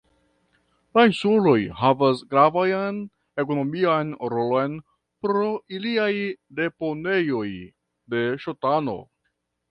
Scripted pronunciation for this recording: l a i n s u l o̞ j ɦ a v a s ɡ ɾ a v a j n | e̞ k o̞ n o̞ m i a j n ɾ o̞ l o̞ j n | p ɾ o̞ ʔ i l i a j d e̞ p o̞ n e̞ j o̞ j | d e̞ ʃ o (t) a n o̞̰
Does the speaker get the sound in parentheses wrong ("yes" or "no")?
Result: no